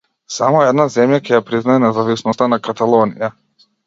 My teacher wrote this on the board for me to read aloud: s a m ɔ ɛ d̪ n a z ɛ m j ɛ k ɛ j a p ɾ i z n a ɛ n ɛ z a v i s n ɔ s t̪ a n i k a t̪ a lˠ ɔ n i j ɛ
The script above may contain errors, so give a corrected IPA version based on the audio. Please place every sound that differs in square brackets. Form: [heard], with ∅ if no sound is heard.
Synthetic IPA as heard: s a m ɔ ɛ d̪ n a z ɛ m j [a] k ɛ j a p ɾ i z n a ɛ n ɛ z a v i s n ɔ s t̪ a n [a] k a t̪ a lˠ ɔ n i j [a]